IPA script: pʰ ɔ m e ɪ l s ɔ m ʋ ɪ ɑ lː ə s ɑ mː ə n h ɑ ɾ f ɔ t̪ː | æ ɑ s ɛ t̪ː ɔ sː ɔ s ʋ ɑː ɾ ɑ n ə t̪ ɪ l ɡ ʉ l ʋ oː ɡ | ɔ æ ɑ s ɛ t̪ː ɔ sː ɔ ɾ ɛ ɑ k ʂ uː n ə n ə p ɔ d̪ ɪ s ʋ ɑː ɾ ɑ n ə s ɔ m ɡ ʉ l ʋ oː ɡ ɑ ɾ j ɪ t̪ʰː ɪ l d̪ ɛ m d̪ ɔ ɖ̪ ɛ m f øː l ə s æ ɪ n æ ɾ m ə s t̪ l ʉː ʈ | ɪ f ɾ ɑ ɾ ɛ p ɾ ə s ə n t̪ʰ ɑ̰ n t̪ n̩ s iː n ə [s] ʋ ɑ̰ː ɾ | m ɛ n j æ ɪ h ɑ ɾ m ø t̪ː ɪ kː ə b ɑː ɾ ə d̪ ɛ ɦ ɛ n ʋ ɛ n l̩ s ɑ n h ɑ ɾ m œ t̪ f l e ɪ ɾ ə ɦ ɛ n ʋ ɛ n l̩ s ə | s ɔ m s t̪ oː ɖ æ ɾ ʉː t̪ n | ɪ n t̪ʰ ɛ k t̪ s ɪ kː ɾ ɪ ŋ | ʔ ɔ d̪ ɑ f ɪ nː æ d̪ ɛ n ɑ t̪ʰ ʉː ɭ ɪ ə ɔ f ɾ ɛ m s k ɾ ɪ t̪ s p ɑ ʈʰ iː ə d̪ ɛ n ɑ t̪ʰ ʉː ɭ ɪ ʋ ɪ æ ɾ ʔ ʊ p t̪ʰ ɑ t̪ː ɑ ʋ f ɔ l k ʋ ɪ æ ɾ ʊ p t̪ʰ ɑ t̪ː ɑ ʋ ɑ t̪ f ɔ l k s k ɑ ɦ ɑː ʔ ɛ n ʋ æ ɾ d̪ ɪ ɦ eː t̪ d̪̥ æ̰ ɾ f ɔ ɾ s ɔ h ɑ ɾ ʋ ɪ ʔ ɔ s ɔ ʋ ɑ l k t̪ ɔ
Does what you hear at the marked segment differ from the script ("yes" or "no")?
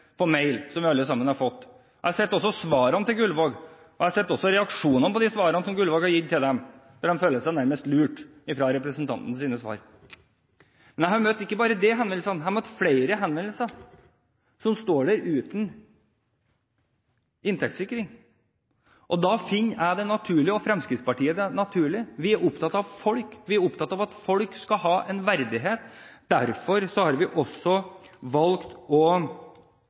no